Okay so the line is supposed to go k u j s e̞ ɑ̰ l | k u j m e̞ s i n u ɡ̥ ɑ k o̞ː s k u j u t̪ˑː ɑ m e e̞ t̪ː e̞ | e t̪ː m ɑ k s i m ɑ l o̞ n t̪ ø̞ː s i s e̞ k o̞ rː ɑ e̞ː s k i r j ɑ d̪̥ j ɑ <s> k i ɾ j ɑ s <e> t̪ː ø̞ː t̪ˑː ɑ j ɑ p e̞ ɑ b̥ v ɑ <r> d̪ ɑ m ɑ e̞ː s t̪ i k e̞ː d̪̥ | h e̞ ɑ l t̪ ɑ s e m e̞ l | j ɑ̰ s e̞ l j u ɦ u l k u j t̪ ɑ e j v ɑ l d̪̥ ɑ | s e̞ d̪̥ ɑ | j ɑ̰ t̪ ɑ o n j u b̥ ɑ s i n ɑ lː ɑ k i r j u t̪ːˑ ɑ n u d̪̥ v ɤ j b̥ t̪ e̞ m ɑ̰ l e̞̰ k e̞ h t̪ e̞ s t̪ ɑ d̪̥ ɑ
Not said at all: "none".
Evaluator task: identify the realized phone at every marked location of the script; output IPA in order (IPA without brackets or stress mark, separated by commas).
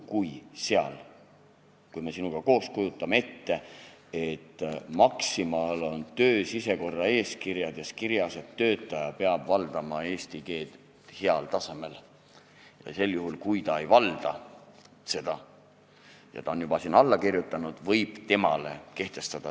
s, e, l